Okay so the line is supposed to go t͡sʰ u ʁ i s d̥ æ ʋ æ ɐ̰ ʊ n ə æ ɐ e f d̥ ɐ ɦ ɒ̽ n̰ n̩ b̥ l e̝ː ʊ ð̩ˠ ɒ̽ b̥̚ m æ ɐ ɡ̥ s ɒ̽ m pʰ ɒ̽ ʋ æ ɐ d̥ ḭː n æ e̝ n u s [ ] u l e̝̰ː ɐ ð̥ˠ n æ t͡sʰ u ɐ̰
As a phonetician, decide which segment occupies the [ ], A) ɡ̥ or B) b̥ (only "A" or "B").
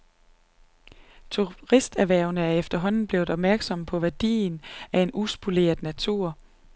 B